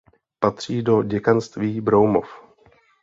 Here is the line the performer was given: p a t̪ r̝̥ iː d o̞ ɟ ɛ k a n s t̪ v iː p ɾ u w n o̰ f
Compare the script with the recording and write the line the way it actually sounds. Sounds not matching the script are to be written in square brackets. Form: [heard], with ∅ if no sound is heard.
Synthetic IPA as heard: p a t̪ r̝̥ iː d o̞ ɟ ɛ k a n s t̪ v iː [b] ɾ [o] w [m] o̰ f